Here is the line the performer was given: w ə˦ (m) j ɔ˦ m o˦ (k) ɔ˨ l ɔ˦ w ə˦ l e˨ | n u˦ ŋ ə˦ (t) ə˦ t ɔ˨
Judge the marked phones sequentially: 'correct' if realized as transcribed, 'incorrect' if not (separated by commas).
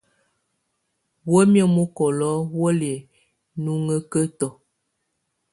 correct, correct, incorrect